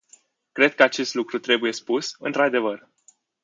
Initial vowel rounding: unrounded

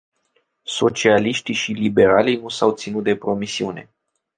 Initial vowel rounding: rounded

